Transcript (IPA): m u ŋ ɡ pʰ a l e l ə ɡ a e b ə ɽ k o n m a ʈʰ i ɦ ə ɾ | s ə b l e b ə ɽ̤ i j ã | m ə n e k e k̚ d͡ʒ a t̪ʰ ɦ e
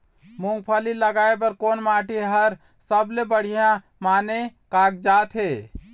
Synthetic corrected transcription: m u ŋ ɡ pʰ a l i l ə ɡ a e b ə ɾ k o n m a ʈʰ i ɦ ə ɾ | s ə b l e b ə ɽ̤ i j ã | m a n e k a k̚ d͡ʒ a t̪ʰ ɦ e